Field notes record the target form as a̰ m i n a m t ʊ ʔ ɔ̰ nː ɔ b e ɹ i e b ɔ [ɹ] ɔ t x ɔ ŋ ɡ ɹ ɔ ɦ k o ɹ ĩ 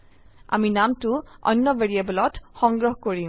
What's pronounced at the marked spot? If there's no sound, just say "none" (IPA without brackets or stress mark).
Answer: l